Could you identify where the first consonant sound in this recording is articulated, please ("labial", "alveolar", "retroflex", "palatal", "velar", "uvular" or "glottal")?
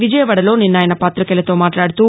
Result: labial